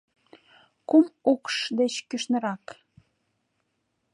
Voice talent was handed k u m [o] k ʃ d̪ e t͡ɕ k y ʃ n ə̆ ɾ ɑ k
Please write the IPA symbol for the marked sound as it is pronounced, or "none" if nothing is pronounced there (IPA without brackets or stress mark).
u